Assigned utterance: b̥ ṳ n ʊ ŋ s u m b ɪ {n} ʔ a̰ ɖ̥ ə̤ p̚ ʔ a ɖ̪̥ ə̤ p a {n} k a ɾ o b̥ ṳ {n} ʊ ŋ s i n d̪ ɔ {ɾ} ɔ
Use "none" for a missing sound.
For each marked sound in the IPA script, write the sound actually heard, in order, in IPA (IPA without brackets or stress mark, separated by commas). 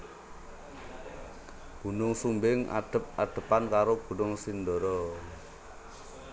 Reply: ŋ, n, n, ɾ